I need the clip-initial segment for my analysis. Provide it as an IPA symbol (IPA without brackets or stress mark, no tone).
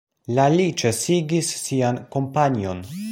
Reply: l